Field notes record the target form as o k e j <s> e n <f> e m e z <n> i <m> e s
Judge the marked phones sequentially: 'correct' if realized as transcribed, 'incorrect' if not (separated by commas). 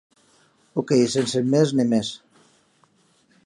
correct, incorrect, correct, correct